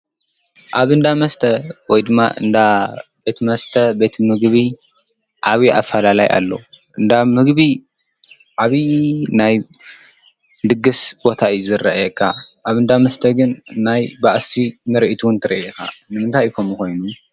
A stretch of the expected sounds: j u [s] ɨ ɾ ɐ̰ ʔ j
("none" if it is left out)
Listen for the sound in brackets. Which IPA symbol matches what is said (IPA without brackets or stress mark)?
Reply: z